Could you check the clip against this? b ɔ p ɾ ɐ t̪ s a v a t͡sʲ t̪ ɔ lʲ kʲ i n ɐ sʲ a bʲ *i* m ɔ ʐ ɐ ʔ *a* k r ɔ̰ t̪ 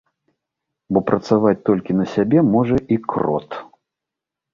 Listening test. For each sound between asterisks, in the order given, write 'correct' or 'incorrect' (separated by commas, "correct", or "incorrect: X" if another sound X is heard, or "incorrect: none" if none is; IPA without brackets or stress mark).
incorrect: ɛ, incorrect: i